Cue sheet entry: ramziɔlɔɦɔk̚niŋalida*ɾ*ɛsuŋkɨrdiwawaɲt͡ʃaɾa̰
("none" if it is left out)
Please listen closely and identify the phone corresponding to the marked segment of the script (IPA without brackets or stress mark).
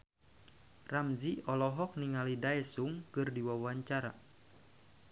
none